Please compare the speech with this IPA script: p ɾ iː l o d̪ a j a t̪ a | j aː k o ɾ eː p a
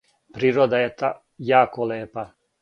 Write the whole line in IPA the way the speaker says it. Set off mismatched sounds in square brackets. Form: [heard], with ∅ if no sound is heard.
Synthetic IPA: p ɾ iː [ɾ] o d̪ a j [e] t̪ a | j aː k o [l] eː p a